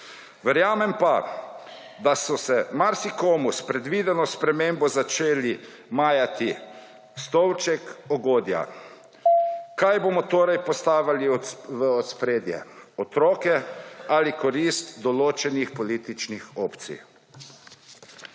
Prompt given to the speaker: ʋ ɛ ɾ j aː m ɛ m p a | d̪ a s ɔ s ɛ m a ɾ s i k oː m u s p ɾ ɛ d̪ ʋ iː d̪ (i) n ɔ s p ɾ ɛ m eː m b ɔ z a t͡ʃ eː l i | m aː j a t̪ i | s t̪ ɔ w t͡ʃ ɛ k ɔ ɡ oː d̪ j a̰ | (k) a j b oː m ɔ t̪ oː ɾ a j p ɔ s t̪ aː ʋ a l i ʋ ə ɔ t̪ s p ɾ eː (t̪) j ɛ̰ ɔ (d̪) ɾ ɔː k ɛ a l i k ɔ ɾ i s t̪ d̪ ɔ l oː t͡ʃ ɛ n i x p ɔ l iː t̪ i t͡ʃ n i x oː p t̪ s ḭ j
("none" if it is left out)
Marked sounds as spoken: ɛ, k, d̪, t̪

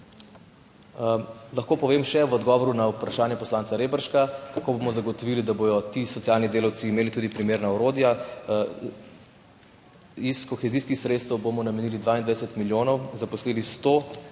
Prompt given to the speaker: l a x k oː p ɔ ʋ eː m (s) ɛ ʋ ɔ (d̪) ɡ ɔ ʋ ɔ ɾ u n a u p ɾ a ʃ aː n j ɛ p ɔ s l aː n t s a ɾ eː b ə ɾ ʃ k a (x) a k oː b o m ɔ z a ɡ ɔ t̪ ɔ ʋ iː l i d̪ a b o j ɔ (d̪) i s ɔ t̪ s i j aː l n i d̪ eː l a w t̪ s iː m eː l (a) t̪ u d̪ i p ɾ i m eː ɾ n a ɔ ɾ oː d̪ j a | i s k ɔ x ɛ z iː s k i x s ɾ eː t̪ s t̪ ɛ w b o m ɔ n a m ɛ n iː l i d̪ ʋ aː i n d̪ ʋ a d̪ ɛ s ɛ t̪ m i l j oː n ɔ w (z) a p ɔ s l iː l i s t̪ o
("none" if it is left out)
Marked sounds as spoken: ʃ, d̪, k, t̪, i, z

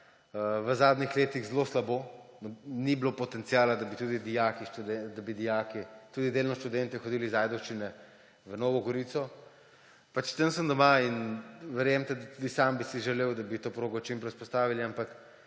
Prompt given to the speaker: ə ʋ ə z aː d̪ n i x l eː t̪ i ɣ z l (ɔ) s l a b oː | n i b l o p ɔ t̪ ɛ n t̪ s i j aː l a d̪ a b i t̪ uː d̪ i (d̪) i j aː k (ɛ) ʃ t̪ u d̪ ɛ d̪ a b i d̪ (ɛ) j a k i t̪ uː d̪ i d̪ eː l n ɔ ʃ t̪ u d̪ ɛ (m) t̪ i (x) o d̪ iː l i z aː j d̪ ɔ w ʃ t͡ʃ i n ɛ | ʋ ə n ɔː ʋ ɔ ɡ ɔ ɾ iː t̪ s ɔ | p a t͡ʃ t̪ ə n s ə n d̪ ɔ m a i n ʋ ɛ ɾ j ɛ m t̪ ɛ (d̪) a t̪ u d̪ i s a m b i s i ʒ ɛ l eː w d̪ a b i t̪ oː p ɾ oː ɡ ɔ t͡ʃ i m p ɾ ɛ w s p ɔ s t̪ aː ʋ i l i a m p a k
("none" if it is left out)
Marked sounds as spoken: o, d̪, i, i, n, x, d̪

